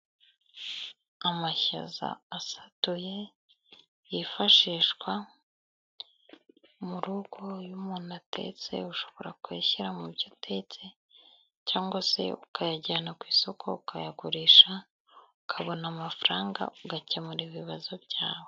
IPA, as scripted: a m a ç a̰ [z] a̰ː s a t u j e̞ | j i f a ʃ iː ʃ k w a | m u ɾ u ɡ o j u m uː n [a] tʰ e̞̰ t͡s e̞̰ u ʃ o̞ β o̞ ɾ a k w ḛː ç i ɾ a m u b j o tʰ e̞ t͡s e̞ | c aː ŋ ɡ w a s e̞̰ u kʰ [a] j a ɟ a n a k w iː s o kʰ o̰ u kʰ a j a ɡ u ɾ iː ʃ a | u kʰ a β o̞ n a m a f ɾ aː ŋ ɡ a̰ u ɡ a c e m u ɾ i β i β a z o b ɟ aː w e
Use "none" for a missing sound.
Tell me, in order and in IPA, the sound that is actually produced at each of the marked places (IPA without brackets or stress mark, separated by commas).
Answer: z, a, a